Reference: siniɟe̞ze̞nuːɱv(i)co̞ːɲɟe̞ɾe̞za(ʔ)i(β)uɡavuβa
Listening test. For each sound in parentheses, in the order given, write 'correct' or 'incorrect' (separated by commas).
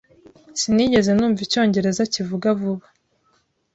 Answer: correct, incorrect, incorrect